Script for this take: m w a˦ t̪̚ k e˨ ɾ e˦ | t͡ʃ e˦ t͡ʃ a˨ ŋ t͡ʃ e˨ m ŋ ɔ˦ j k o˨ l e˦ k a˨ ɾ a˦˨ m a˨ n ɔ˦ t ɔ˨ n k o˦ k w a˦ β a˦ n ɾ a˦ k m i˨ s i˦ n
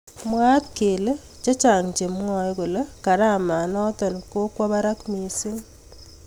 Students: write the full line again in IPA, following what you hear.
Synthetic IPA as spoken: m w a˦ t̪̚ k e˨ l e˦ | t͡ʃ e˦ t͡ʃ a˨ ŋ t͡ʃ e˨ m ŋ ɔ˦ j k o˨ l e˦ k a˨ ɾ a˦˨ m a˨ n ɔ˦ t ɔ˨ n k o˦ k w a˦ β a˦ ɾ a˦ k m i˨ s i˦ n